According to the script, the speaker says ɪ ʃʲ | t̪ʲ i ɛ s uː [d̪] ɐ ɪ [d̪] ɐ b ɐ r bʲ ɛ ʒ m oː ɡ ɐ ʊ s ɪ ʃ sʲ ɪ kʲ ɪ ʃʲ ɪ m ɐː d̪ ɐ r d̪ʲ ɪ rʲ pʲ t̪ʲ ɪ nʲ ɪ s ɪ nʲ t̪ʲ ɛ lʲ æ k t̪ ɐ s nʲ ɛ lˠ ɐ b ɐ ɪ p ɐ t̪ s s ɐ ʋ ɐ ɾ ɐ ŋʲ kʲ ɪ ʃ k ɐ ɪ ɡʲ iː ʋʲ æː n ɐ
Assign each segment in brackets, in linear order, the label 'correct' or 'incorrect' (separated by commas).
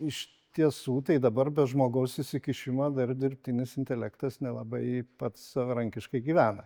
incorrect, correct